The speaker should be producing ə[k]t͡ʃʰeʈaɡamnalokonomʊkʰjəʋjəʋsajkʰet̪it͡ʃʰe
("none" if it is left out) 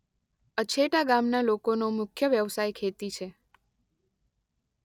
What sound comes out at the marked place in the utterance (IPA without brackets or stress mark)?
none